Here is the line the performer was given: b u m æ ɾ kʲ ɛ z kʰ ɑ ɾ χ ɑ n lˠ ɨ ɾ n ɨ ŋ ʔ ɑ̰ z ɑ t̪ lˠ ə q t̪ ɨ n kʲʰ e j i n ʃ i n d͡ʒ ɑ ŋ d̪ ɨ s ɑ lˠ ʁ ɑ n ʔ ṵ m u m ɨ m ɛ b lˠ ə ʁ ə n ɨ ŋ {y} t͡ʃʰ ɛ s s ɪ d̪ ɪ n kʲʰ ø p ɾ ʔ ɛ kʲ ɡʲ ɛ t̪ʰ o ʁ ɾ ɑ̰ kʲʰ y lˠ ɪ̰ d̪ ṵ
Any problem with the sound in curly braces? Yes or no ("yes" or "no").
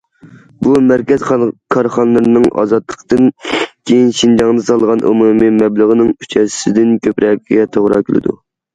no